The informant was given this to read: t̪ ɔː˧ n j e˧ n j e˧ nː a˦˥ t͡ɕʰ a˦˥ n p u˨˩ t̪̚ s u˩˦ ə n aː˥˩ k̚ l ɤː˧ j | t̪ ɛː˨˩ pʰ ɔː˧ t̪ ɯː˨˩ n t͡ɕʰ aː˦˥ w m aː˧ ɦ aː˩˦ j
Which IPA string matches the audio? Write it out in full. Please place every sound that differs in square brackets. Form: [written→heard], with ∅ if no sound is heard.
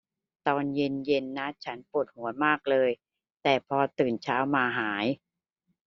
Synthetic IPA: t̪ ɔː˧ n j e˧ n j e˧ nː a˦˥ t͡ɕʰ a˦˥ n p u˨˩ t̪̚ [s→h] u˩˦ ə [n→m] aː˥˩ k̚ l ɤː˧ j | t̪ ɛː˨˩ pʰ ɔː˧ t̪ ɯː˨˩ n t͡ɕʰ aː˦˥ w m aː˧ ɦ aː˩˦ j